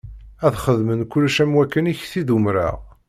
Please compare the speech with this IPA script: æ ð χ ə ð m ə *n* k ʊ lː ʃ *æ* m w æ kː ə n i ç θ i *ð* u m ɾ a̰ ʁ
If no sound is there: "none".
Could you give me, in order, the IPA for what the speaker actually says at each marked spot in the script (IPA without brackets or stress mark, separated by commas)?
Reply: n, æ, ð